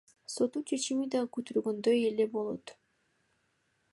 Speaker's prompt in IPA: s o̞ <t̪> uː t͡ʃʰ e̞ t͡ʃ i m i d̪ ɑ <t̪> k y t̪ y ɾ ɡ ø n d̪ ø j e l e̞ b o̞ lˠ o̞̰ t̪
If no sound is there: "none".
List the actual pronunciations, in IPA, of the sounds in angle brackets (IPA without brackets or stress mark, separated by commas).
t̪, none